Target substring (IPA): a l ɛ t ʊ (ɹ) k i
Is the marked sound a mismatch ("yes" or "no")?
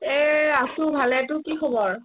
yes